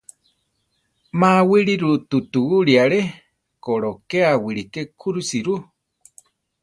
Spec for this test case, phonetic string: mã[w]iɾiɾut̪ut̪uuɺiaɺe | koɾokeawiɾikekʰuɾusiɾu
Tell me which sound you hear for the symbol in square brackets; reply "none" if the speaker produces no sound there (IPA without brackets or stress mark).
w